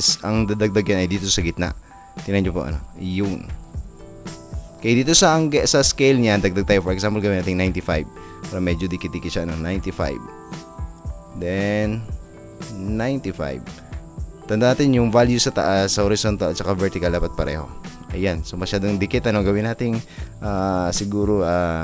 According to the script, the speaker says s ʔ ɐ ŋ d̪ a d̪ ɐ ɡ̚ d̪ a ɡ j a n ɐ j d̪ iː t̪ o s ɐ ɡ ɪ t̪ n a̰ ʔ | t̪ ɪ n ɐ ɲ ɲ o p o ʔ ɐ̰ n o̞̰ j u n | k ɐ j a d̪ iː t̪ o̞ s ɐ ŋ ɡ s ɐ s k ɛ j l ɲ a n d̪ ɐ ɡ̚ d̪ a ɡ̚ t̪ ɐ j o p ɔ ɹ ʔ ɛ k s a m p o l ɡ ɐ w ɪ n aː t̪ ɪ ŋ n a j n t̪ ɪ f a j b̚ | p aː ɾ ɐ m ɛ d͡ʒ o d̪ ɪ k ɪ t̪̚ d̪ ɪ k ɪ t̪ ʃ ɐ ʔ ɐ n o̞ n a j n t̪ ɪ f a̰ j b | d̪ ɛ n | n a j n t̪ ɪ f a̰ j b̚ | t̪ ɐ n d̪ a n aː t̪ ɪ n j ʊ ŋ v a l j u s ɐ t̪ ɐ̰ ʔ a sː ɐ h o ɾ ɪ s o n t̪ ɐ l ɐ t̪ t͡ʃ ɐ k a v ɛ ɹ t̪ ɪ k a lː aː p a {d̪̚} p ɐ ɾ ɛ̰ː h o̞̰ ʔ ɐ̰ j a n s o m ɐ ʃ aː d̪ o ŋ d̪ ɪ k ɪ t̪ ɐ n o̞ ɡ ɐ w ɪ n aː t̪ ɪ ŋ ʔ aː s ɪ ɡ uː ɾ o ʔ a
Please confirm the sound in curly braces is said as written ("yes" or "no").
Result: no